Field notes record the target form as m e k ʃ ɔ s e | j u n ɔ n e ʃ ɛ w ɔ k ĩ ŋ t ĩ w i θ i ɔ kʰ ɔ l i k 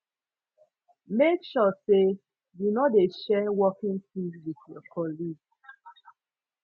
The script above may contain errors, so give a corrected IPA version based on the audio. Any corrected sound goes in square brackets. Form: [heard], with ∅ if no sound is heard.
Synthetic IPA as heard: m e k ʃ ɔ s e | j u n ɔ [d] e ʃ ɛ w ɔ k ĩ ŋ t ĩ w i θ [j] ɔ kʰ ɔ l i [ɡ]